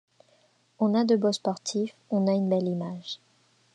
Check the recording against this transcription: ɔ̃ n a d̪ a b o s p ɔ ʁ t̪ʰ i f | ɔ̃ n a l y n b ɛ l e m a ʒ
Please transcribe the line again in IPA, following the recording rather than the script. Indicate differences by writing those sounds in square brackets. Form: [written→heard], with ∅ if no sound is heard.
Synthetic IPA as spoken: ɔ̃ n a d̪ [a→ə] b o s p ɔ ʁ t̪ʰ i f | ɔ̃ n a [l→∅] y n b ɛ l [e→i] m a ʒ